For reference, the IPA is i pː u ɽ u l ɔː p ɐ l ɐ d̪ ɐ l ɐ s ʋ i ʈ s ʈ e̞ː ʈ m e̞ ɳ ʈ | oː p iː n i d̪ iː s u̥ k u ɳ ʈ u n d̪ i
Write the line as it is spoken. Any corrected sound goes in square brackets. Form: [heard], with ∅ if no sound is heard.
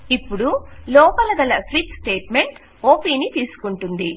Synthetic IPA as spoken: i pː u ɽ u l ɔː p ɐ l ɐ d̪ ɐ l ɐ s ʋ i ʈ s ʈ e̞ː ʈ m e̞ ɳ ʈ | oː p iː n i [t̪] iː s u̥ k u ɳ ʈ u n d̪ i